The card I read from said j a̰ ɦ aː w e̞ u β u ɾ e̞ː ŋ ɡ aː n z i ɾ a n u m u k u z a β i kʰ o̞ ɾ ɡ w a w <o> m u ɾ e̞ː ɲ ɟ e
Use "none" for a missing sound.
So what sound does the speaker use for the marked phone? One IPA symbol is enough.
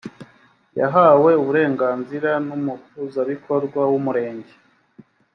u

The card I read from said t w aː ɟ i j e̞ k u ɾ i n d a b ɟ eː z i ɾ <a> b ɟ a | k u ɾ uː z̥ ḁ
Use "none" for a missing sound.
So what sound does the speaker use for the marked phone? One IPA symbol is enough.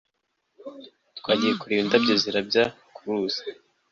a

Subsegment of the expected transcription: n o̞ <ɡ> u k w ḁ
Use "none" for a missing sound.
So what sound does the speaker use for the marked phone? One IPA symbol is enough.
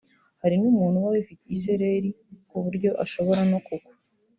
k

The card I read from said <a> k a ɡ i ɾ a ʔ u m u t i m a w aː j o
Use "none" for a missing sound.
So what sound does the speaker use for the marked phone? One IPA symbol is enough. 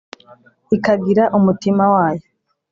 i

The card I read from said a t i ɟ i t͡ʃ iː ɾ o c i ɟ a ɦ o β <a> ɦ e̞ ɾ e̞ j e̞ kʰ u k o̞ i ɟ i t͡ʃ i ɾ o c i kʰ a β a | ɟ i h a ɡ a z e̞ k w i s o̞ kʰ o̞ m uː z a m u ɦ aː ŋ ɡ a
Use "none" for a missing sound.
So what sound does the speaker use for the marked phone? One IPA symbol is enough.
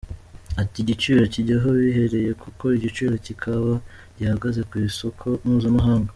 i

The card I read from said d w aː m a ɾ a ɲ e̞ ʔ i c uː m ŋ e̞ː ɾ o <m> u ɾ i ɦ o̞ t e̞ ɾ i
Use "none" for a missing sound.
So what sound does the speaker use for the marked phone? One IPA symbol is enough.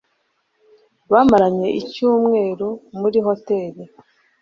m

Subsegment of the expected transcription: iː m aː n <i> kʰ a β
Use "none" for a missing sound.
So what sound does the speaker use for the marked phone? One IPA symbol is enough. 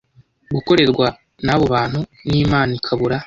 i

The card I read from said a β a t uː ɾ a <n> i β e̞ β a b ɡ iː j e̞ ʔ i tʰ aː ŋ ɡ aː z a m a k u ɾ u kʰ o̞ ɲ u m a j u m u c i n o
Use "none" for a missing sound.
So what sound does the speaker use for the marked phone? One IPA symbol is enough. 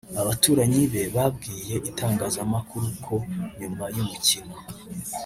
ɲ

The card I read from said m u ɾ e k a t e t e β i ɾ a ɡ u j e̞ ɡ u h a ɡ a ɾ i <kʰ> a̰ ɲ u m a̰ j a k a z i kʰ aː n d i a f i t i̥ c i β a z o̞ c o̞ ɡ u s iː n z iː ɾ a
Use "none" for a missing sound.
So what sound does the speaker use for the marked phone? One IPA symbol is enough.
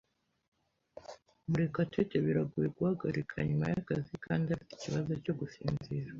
kʰ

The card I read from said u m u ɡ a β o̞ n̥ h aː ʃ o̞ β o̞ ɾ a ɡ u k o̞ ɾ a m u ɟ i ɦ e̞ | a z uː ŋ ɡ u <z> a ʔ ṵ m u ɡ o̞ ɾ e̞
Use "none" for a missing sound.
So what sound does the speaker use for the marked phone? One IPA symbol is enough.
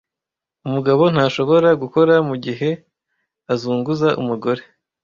z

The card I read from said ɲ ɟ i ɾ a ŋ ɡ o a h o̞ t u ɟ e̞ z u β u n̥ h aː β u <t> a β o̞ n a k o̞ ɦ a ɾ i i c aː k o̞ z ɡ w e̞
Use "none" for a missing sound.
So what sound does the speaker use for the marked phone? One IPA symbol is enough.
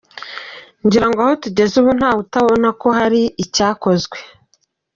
t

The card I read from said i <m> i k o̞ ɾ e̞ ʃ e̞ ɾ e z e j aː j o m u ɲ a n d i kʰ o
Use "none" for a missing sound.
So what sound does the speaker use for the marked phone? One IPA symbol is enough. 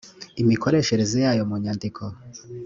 m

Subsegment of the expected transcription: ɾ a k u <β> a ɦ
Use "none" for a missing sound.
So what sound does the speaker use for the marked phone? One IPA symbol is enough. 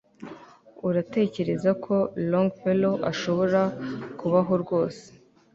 β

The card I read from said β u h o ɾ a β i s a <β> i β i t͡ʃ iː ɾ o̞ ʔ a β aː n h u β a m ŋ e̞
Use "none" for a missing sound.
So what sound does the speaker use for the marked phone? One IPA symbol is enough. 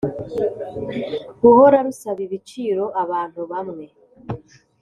β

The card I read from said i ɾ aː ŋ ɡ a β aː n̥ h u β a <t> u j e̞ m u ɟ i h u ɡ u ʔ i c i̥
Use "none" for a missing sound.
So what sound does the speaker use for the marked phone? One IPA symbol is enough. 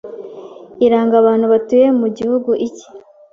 t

